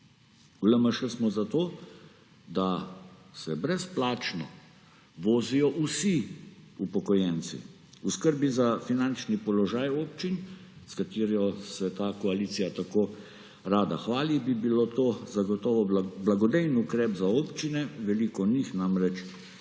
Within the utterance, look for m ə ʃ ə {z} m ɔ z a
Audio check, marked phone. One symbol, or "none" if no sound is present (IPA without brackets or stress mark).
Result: s